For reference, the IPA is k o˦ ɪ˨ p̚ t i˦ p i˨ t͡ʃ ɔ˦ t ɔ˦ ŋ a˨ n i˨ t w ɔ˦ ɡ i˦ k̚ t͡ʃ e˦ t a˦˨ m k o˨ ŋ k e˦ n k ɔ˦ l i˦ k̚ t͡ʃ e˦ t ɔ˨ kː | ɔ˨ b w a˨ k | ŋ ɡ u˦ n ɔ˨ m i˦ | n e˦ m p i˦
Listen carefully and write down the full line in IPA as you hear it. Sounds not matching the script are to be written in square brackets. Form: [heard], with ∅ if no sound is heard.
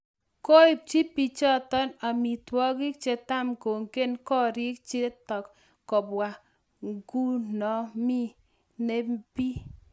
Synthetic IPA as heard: k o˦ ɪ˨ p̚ [t͡ʃ] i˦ p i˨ t͡ʃ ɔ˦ t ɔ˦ [n] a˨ [m] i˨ t w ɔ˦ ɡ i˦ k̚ t͡ʃ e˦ t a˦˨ m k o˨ ŋ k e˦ n k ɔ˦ [ɾ] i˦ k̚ t͡ʃ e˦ t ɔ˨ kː | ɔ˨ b w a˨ [∅] | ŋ ɡ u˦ n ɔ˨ m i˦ | n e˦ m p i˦